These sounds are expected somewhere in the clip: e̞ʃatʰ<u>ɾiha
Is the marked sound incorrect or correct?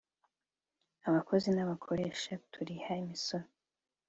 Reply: correct